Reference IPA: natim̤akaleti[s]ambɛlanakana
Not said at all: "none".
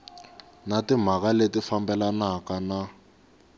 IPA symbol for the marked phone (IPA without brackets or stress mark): f